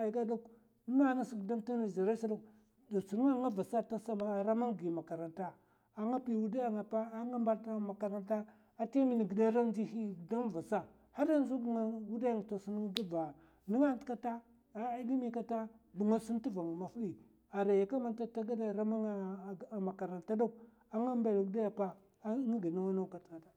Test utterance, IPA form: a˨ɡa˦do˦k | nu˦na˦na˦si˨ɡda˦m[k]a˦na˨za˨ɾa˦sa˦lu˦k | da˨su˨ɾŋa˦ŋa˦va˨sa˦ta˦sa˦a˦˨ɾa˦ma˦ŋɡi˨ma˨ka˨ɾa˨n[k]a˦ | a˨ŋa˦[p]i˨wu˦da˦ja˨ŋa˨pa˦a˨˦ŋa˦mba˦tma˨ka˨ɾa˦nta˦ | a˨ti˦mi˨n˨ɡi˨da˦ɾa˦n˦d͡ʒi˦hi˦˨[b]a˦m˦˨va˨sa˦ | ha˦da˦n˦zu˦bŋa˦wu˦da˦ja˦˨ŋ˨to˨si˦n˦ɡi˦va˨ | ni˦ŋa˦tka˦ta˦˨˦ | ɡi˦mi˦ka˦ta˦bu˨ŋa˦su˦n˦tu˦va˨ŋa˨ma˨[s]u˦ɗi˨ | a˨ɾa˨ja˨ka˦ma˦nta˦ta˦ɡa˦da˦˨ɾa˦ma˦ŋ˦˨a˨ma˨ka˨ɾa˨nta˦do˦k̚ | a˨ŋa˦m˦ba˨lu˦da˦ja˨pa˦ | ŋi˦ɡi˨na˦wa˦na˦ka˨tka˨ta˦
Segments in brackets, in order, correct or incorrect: incorrect, incorrect, correct, incorrect, incorrect

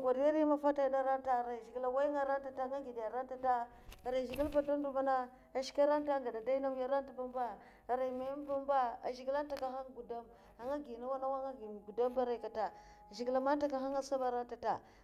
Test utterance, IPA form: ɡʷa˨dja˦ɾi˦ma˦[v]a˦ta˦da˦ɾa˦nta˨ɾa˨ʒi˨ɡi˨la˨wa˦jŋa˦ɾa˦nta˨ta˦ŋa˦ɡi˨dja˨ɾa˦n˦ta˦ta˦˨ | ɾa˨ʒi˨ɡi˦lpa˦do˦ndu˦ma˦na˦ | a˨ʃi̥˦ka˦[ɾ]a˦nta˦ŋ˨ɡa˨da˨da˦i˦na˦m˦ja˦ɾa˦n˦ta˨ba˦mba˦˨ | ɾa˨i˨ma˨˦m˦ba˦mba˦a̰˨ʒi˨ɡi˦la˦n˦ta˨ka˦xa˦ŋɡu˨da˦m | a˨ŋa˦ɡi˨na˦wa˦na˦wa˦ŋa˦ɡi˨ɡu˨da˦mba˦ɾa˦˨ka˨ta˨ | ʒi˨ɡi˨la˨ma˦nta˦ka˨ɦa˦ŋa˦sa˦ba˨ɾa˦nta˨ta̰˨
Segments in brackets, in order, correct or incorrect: incorrect, correct

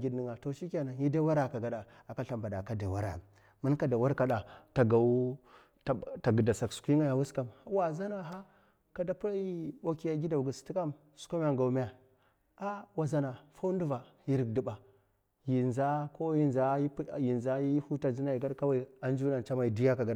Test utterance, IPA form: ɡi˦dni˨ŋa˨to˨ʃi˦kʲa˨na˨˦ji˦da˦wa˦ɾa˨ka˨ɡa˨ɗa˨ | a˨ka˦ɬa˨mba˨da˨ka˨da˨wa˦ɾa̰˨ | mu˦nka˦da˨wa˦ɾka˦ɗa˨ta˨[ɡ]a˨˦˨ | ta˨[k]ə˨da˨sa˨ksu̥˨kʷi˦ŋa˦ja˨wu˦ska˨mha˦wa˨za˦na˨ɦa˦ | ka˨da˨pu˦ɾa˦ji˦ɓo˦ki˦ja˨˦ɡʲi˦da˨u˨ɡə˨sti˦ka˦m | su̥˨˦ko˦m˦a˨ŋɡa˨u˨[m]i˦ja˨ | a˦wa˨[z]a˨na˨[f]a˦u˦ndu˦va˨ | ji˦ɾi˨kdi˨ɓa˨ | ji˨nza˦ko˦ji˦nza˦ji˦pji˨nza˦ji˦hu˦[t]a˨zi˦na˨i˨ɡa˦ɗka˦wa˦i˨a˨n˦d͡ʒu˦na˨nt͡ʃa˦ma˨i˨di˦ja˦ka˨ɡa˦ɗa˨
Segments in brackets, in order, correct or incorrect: correct, incorrect, correct, correct, correct, correct

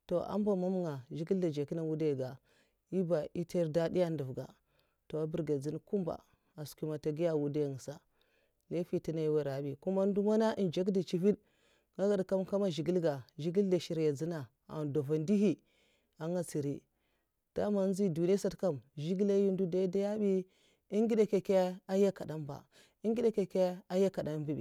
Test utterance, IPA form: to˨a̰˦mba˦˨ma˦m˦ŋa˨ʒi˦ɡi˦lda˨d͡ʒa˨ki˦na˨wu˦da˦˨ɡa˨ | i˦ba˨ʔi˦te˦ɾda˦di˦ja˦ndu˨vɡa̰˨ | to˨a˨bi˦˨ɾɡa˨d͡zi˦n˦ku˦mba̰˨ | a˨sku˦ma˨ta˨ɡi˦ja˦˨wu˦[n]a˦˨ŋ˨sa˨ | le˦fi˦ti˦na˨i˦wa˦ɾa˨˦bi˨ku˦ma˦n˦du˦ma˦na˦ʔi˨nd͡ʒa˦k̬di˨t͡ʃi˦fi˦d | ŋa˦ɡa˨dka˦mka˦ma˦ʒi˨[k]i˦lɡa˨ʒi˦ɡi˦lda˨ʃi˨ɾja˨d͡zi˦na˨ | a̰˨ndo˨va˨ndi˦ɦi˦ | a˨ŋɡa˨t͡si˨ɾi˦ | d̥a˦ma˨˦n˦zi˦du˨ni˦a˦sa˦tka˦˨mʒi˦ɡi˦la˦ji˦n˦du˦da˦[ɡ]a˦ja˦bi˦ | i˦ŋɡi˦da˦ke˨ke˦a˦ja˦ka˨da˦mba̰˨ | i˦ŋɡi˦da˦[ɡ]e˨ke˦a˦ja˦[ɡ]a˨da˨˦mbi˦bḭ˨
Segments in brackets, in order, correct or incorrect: incorrect, incorrect, incorrect, incorrect, incorrect

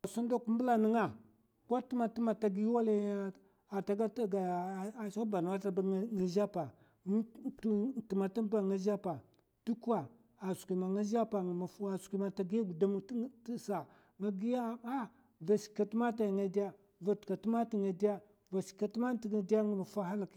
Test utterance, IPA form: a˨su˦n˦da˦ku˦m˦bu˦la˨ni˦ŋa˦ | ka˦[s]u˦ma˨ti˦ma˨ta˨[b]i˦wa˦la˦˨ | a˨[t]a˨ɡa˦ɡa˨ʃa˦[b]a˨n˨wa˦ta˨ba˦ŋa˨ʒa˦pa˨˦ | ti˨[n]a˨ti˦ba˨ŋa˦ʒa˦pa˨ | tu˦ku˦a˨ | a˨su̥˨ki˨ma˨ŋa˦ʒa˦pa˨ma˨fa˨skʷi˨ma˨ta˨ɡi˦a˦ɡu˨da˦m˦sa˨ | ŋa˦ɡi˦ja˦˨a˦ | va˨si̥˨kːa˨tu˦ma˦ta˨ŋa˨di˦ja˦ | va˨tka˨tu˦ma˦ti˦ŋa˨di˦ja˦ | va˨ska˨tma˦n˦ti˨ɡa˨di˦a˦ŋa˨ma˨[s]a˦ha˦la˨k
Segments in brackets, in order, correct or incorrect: incorrect, incorrect, correct, correct, incorrect, incorrect

